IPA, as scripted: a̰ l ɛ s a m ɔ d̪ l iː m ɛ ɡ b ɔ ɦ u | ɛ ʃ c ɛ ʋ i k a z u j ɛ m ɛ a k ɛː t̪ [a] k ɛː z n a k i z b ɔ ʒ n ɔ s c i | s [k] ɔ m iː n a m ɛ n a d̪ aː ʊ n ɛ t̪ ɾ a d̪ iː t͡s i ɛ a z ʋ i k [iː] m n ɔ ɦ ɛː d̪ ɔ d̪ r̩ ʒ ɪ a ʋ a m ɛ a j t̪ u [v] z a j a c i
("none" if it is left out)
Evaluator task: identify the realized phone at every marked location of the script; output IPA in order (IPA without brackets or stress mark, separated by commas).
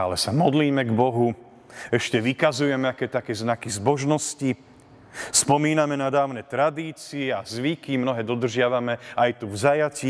a, p, i, v